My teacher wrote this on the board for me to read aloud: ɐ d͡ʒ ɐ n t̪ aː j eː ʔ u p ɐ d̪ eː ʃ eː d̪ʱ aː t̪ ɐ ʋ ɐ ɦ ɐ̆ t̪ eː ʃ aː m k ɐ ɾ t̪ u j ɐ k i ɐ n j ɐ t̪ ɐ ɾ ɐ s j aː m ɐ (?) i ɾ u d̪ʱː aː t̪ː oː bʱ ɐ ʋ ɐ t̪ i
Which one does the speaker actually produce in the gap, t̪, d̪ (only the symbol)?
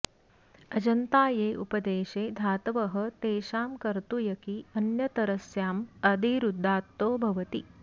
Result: d̪